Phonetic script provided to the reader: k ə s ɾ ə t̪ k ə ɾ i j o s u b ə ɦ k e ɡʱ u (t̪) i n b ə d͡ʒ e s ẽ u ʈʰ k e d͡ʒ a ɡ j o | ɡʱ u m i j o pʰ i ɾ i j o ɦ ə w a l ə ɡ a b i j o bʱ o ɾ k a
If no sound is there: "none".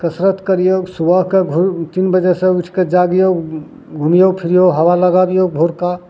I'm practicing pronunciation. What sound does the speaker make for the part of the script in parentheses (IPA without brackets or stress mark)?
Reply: t̪